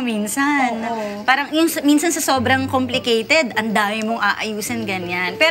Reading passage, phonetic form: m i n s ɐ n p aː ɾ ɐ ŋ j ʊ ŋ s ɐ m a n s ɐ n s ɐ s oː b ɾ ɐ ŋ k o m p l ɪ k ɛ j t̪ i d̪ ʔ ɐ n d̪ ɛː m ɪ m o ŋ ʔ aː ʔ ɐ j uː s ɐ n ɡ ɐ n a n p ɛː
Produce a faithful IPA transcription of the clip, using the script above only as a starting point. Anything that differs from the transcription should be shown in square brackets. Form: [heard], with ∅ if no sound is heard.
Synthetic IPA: m i n s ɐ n p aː ɾ ɐ ŋ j ʊ ŋ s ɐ m [i] n s ɐ n s ɐ s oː b ɾ ɐ ŋ k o m p l ɪ k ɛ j t̪ [ɛ] d̪ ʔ ɐ n d̪ [aː] m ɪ m o ŋ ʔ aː ʔ ɐ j uː s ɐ n ɡ ɐ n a n p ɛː